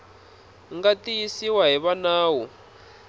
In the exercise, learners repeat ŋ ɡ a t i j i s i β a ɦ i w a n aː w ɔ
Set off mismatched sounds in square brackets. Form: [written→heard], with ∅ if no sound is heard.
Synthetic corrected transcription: ŋ ɡ a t i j i s i [β→w] a ɦ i [w→β] a n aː w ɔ